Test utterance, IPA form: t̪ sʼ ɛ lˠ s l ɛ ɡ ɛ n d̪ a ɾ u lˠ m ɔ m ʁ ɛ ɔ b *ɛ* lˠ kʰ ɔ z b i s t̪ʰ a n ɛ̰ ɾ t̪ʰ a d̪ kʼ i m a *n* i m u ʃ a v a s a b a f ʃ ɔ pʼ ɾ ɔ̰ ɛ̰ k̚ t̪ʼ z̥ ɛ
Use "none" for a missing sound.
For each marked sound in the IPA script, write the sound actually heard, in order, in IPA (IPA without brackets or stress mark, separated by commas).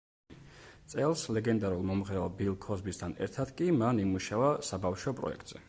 i, n